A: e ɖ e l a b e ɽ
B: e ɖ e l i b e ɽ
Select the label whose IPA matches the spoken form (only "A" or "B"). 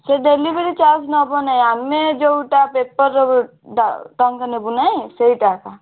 B